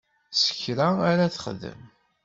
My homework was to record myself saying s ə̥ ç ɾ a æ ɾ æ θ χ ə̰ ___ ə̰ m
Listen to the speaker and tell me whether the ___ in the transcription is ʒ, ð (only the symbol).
ð